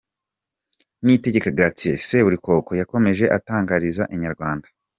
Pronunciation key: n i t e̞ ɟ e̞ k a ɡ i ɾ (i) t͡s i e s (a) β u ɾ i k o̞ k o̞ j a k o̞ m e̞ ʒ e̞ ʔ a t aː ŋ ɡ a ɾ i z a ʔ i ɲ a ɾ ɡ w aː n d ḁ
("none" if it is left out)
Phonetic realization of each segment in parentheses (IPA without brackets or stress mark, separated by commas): a, e